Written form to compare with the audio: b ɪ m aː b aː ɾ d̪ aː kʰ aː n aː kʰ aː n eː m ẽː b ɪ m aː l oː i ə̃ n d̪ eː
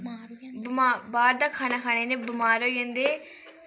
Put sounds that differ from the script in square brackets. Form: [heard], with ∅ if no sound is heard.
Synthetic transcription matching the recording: b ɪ m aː b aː ɾ d̪ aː kʰ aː n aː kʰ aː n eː [n] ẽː b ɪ m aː [ɾ] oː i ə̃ n d̪ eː